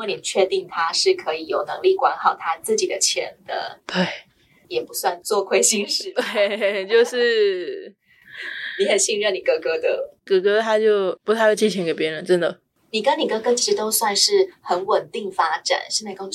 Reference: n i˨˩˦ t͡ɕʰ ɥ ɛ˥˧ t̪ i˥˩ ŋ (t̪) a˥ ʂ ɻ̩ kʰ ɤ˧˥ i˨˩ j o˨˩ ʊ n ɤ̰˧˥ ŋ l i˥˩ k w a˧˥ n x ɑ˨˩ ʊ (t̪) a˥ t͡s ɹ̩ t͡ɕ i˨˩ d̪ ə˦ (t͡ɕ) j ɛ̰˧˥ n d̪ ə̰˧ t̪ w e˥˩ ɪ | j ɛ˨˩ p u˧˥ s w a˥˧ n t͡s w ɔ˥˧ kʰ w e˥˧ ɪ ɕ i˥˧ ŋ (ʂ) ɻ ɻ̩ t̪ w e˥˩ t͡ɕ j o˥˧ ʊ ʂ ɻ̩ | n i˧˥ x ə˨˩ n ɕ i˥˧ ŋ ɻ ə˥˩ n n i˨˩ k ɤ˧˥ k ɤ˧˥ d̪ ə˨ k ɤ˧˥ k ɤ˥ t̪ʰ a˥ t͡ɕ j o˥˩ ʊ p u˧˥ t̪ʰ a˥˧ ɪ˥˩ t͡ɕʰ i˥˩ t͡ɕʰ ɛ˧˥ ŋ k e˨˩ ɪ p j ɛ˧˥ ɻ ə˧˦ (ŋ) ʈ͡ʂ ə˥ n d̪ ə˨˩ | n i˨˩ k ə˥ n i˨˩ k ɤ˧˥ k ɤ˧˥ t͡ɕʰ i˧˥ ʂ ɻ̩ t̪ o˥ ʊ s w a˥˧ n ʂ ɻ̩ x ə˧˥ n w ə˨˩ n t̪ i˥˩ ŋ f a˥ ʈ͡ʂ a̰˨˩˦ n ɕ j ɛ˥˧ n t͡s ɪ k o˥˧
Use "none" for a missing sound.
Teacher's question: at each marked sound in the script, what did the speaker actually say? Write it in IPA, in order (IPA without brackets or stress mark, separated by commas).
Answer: t̪ʰ, t̪ʰ, t͡ɕʰ, ʂ, n